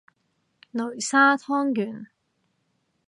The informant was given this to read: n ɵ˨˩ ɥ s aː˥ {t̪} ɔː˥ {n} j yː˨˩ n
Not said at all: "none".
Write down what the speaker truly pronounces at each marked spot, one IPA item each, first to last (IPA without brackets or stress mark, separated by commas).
t̪ʰ, ŋ